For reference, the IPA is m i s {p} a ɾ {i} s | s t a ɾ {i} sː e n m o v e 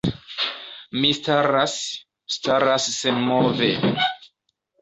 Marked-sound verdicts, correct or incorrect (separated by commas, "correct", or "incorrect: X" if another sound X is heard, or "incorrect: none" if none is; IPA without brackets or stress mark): incorrect: t, incorrect: a, incorrect: a